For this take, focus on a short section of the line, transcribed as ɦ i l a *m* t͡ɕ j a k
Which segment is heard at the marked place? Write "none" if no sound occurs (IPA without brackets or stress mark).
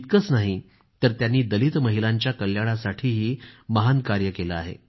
ɲ